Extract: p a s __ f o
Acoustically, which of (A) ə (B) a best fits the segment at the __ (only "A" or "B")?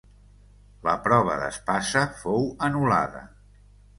A